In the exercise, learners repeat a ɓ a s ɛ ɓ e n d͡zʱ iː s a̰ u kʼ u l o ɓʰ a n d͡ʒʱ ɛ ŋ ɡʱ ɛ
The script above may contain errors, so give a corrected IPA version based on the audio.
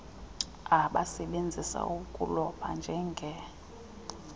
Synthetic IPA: a ɓ a s ɛ ɓ e n d͡zʱ i s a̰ u kʼ u l ɔ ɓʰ a n d͡ʒʱ ɛ ŋ ɡʱ ɛ